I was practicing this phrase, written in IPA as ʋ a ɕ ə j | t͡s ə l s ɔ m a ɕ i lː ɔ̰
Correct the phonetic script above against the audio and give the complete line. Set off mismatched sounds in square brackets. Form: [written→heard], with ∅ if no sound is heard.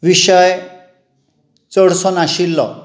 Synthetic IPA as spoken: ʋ [a→i] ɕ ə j | t͡s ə [l→ɽ] s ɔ [m→n] a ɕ i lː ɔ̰